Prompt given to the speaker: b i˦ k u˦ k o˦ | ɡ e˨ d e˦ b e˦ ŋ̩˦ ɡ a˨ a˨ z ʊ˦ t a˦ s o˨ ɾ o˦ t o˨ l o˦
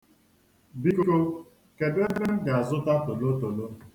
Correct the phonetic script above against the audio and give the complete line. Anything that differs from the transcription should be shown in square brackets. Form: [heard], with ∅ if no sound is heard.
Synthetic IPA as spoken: b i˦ k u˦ k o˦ | [k] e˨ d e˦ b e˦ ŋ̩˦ ɡ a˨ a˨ z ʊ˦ t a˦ [t] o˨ [l] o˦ t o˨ l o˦